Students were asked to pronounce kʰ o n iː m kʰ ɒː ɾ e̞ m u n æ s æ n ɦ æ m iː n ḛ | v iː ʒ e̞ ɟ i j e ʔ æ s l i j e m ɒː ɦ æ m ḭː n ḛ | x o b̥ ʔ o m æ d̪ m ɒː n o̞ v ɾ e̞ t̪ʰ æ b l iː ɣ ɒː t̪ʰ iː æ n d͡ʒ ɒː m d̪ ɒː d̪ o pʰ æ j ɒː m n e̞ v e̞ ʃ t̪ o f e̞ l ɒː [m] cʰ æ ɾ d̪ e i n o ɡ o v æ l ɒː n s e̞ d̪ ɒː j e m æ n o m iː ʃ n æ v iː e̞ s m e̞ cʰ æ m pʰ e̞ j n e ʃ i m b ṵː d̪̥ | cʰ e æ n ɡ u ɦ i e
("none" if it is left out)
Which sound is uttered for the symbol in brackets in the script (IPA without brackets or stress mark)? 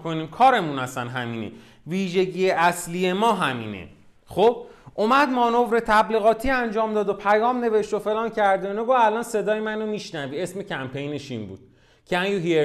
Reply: n